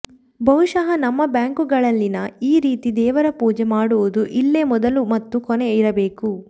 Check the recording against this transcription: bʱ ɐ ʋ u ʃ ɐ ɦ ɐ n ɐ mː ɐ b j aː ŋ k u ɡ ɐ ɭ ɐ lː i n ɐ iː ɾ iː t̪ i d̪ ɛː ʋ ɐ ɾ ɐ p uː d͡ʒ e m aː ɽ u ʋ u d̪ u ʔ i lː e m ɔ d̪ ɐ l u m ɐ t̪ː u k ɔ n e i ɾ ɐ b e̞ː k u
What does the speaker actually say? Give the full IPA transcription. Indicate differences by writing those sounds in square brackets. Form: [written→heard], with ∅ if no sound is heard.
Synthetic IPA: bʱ ɐ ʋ u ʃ ɐ ɦ ɐ n ɐ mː ɐ b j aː ŋ k u ɡ ɐ ɭ ɐ lː i n ɐ iː ɾ iː t̪ i d̪ ɛː ʋ ɐ ɾ ɐ p uː d͡ʒ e m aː ɽ u ʋ u d̪ u ʔ i lː e m ɔ d̪ ɐ l u m ɐ t̪ː u k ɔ n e i ɾ ɐ b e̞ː k u

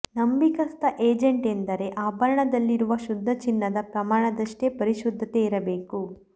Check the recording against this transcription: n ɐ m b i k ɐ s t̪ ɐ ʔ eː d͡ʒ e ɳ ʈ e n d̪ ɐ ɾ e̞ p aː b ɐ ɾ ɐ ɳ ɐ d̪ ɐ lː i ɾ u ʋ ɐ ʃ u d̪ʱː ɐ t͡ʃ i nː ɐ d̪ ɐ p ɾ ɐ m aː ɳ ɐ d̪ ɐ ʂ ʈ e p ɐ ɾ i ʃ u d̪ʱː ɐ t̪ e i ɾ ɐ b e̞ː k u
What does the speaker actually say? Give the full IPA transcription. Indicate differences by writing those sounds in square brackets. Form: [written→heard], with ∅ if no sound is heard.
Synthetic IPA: n ɐ m b i k ɐ s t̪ ɐ ʔ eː d͡ʒ e ɳ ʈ e n d̪ ɐ ɾ e̞ [p→ʔ] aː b ɐ ɾ ɐ ɳ ɐ d̪ ɐ lː i ɾ u ʋ ɐ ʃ u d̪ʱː ɐ t͡ʃ i nː ɐ d̪ ɐ p ɾ ɐ m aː ɳ ɐ d̪ ɐ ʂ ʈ e p ɐ ɾ i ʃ u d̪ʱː ɐ t̪ e i ɾ ɐ b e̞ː k u

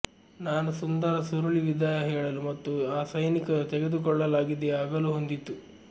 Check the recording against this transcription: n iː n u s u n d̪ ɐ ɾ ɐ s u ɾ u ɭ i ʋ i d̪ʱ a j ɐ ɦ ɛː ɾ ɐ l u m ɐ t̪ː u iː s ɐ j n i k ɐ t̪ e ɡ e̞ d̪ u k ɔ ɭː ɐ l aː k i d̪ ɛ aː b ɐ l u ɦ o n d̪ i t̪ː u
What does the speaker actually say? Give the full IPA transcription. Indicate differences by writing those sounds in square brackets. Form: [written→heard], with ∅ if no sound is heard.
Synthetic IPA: n [iː→aː] n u s u n d̪ ɐ ɾ ɐ s u ɾ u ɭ i ʋ i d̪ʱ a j ɐ ɦ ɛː [ɾ→ɭ] ɐ l u m ɐ t̪ː u [iː→aː] s ɐ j n i k ɐ t̪ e ɡ e̞ d̪ u k ɔ ɭː ɐ l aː [k→ɡ] i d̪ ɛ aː [b→ɡ] ɐ l u ɦ o n d̪ i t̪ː u

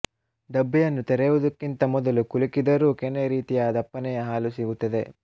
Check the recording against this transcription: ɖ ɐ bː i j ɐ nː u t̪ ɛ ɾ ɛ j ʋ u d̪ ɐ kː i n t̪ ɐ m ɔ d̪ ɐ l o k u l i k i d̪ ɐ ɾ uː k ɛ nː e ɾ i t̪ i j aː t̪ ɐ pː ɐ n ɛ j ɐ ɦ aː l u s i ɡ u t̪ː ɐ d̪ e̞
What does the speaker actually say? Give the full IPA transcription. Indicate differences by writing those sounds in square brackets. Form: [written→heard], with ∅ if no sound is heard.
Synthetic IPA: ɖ ɐ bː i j ɐ nː u t̪ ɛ ɾ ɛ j ʋ u d̪ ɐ kː i n t̪ ɐ m ɔ d̪ ɐ l [o→u] k u l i k i d̪ ɐ ɾ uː k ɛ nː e ɾ [i→iː] t̪ i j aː [t̪→d̪] ɐ pː ɐ n ɛ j ɐ ɦ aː l u s i ɡ u t̪ː ɐ d̪ e̞

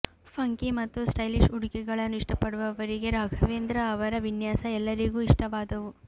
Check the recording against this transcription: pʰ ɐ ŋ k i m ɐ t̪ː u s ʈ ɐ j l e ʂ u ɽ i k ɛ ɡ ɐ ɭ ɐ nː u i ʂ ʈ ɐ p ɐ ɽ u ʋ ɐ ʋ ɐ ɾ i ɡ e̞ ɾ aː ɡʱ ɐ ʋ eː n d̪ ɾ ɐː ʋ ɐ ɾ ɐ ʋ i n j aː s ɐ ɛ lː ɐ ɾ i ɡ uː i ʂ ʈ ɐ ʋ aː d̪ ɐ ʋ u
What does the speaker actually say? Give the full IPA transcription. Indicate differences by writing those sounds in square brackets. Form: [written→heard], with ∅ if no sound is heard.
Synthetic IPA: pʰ ɐ ŋ k i m ɐ t̪ː u s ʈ ɐ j l [e→i] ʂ u ɽ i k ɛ ɡ ɐ ɭ ɐ nː u i ʂ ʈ ɐ p ɐ ɽ u ʋ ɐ ʋ ɐ ɾ i ɡ e̞ ɾ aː ɡʱ ɐ ʋ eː n d̪ ɾ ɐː ʋ ɐ ɾ ɐ ʋ i n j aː s ɐ ɛ lː ɐ ɾ i ɡ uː i ʂ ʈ ɐ ʋ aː d̪ ɐ ʋ u

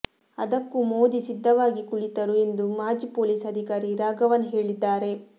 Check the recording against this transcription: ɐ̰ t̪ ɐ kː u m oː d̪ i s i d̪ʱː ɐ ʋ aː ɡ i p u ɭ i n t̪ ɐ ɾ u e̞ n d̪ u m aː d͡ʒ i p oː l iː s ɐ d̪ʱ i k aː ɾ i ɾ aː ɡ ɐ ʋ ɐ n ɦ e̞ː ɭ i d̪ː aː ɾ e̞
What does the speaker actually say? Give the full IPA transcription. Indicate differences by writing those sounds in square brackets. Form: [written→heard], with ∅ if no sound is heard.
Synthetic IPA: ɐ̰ [t̪→d̪] ɐ kː u m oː d̪ i s i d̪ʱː ɐ ʋ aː ɡ i [p→k] u ɭ i [n→∅] t̪ ɐ ɾ u e̞ n d̪ u m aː d͡ʒ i p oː l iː s ɐ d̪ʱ i k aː ɾ i ɾ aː ɡ ɐ ʋ ɐ n ɦ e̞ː ɭ i d̪ː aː ɾ e̞

